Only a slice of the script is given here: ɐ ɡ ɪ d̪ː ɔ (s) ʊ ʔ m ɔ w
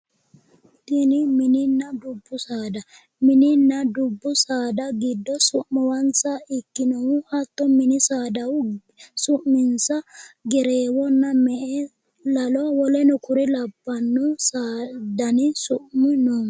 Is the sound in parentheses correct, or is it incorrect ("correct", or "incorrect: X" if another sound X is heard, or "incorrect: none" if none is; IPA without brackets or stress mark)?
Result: correct